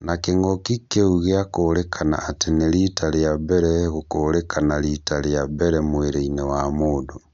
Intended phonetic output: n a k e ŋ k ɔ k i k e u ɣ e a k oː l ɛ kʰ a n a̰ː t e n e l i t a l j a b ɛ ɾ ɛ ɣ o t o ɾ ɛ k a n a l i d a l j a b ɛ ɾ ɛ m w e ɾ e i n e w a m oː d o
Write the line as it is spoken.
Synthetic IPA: n a k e ŋ ɡ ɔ k i k e u ɣ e a k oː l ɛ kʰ a n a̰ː t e n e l i t a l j a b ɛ ɾ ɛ ɣ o k o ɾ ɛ k a n a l i t a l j a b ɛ ɾ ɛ m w e ɾ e i n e w a m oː d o